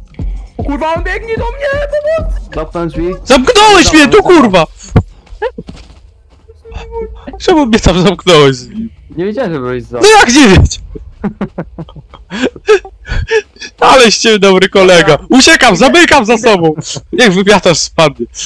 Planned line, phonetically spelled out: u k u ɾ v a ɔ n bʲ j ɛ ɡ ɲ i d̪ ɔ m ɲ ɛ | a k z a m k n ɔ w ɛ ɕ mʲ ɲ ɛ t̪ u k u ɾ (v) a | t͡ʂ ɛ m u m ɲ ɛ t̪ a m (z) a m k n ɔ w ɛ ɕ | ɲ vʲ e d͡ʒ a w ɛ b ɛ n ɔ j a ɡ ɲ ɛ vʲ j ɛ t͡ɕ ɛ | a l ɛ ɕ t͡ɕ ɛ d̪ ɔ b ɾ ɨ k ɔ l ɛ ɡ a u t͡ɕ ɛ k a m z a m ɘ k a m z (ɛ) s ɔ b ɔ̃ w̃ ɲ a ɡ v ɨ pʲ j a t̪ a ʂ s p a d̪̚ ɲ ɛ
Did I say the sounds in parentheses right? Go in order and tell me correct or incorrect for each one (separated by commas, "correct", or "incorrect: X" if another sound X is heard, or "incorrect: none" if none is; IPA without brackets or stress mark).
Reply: correct, correct, incorrect: a